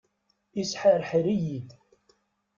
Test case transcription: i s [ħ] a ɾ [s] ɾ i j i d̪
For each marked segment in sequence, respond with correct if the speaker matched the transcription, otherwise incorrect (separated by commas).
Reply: correct, incorrect